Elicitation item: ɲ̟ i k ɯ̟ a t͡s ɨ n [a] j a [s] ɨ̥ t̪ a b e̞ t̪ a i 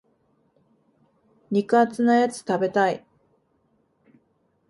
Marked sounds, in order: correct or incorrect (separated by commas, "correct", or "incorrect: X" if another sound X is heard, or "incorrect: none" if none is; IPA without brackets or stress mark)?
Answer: correct, incorrect: t͡s